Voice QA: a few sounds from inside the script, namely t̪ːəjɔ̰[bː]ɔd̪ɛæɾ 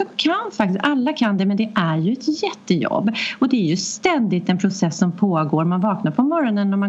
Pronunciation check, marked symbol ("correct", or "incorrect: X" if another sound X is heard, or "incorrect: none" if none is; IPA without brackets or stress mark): correct